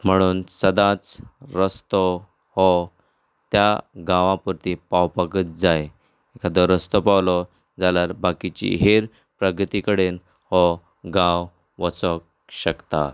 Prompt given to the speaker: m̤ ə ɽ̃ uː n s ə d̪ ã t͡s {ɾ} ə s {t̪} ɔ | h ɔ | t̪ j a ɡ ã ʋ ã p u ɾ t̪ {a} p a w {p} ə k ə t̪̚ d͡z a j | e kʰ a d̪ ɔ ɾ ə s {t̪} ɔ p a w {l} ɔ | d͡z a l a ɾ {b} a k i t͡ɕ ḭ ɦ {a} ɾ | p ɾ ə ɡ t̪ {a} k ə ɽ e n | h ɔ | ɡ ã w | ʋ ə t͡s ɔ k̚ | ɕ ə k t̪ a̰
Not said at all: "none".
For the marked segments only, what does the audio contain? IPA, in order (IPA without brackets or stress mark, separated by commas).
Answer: ɾ, t̪, i, p, t̪, l, b, e, i